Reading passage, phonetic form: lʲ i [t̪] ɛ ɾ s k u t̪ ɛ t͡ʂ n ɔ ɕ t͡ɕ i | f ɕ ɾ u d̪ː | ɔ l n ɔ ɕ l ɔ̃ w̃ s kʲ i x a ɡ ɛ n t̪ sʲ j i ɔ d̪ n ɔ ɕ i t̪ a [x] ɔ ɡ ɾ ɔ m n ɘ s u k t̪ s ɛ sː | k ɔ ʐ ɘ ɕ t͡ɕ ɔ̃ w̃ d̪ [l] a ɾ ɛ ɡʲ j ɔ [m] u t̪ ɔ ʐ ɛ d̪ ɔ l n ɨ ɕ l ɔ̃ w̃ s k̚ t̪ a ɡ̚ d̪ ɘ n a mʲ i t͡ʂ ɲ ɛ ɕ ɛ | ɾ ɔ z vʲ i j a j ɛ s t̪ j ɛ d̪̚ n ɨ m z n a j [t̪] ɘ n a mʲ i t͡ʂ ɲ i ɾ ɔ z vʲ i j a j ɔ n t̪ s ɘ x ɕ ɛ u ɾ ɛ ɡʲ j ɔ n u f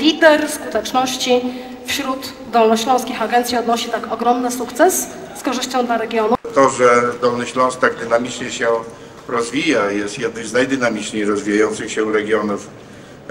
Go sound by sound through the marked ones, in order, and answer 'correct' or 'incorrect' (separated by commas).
incorrect, incorrect, correct, incorrect, incorrect